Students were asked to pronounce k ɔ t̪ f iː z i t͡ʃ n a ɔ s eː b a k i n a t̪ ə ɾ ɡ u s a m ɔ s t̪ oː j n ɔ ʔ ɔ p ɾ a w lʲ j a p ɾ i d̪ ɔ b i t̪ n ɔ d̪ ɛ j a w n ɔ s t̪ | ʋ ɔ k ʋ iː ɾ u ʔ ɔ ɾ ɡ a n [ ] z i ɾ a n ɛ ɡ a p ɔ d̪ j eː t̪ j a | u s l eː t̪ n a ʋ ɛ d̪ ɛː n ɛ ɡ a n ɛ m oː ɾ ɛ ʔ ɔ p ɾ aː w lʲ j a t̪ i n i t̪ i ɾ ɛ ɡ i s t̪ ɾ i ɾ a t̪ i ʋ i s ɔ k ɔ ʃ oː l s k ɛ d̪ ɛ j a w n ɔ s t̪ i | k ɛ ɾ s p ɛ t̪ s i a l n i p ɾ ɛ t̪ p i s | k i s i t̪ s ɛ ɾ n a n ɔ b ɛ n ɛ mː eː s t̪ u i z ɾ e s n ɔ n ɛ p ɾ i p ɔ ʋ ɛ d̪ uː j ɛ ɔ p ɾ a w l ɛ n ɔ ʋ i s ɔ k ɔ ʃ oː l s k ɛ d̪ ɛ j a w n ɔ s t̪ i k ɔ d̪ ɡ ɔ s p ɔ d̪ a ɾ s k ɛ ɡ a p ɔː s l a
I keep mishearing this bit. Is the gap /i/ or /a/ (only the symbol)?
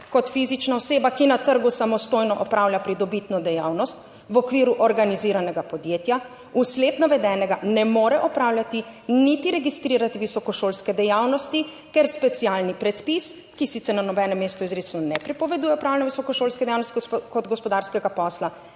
i